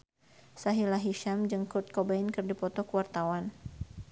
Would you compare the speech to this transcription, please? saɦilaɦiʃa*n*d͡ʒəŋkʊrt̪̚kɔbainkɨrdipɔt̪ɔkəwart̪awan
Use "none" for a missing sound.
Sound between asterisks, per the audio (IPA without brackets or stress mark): m